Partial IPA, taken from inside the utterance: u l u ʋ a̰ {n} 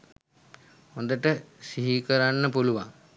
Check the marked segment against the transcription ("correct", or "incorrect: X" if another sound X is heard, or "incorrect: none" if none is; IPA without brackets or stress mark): incorrect: ŋ